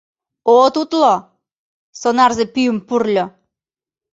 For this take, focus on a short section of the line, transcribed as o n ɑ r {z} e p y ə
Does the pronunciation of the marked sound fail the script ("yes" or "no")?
no